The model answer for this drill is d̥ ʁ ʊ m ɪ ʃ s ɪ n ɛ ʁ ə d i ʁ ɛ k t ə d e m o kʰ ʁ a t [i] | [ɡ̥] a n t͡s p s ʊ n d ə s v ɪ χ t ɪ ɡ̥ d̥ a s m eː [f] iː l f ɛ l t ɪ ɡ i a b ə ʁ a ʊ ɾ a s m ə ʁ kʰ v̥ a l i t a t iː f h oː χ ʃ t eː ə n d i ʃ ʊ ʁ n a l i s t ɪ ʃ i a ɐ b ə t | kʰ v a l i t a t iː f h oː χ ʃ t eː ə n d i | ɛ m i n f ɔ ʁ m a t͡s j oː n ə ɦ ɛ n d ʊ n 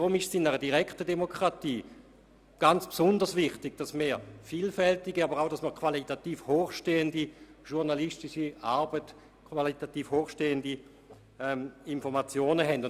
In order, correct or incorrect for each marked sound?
incorrect, correct, correct

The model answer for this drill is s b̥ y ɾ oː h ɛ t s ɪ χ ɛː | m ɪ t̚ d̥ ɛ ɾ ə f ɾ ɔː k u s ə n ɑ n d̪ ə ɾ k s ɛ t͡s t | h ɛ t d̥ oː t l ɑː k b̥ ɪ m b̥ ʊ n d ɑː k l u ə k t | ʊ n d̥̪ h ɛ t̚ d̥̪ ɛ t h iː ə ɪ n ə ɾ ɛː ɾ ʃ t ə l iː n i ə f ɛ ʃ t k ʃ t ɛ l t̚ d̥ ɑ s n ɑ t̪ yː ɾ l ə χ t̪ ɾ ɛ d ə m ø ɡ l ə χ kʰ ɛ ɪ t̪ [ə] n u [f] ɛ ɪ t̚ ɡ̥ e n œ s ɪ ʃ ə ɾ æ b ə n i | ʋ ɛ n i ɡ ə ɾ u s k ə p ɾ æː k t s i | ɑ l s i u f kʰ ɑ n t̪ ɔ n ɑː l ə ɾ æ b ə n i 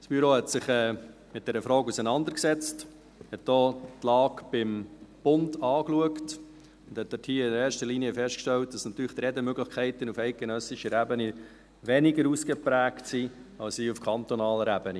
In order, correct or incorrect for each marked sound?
correct, correct

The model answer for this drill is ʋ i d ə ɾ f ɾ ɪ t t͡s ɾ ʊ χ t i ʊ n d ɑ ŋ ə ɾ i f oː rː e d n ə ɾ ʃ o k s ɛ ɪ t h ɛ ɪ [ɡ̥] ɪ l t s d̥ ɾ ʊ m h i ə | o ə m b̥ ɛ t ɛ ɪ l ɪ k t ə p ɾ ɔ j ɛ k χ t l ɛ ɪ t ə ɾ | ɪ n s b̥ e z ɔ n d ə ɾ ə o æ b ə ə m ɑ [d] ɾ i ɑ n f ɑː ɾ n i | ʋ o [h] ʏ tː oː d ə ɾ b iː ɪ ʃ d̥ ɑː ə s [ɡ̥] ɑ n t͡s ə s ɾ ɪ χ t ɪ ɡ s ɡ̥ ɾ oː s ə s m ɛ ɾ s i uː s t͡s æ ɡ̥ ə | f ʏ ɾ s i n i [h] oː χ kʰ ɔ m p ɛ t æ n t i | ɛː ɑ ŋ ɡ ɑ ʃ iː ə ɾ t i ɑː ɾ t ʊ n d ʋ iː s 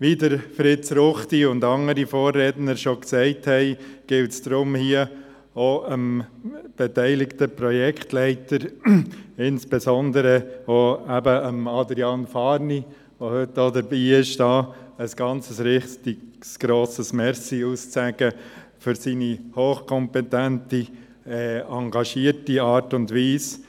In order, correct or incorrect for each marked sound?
correct, correct, correct, correct, correct

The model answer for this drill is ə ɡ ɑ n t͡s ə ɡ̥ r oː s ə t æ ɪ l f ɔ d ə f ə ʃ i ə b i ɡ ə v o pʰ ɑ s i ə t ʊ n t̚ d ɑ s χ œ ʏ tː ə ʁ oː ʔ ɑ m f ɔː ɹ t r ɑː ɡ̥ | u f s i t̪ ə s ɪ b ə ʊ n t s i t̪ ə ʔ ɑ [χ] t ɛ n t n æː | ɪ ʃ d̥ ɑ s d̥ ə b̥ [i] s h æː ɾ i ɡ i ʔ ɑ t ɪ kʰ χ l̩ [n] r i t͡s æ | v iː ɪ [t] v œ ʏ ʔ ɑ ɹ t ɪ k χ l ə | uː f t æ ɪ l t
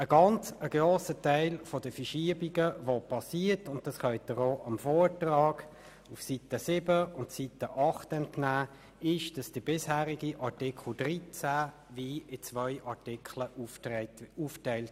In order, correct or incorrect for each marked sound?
correct, incorrect, incorrect, incorrect

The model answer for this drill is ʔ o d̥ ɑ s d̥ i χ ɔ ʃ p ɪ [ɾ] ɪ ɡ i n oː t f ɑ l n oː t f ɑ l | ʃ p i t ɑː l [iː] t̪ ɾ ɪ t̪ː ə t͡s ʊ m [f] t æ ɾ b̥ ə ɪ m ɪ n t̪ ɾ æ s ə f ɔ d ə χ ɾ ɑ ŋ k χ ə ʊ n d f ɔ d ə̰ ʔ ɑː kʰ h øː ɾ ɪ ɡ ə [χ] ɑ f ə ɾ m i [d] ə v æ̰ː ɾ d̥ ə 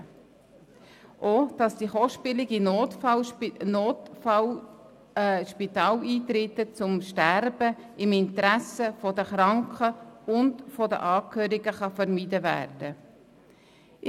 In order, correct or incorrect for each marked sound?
incorrect, correct, incorrect, correct, correct

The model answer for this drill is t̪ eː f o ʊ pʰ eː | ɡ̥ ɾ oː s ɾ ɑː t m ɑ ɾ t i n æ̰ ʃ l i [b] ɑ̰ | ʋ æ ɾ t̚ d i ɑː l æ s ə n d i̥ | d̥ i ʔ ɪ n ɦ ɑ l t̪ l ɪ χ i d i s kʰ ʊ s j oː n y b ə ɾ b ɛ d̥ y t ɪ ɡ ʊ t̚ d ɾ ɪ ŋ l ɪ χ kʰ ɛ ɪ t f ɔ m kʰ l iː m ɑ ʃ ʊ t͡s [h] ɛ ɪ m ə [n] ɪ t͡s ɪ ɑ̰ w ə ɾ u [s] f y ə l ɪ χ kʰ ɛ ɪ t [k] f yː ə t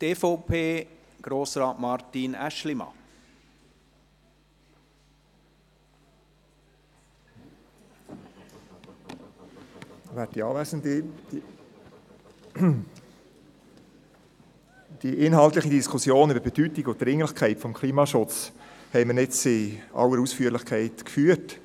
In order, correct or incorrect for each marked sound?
incorrect, correct, correct, correct, correct

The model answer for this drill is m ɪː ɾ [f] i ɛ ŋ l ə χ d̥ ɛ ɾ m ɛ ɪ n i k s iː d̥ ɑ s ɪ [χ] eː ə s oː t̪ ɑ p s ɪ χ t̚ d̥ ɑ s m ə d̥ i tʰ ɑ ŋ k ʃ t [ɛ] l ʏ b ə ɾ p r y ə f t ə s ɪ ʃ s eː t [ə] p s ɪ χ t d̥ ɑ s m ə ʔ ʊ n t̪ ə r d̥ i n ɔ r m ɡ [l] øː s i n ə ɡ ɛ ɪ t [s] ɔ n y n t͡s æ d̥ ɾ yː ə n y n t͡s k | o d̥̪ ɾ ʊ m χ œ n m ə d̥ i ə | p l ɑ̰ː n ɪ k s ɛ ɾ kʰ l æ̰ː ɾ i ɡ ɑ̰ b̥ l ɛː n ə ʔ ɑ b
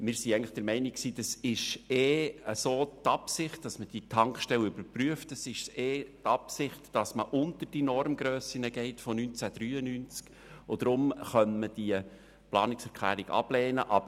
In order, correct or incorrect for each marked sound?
incorrect, incorrect, correct, incorrect, incorrect, incorrect

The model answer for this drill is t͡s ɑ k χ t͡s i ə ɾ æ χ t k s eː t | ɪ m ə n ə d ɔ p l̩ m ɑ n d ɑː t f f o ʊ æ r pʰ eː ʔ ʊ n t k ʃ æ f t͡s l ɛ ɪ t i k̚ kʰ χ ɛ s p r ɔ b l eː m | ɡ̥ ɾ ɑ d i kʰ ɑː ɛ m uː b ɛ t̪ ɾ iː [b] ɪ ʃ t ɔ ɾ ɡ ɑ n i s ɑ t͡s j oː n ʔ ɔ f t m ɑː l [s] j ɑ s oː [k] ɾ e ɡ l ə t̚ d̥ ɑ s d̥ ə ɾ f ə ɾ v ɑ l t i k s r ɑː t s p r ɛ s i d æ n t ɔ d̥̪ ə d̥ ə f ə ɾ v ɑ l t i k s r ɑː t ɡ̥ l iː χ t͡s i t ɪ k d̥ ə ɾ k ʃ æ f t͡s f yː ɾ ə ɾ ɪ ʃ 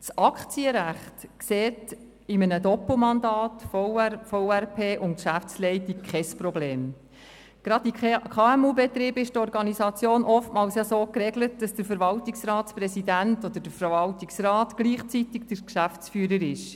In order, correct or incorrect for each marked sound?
correct, correct, correct

